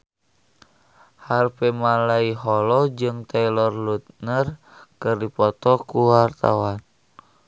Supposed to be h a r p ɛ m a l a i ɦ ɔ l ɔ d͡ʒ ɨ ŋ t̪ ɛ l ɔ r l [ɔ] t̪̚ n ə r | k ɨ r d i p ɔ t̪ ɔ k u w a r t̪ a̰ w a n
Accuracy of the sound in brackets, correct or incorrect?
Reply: incorrect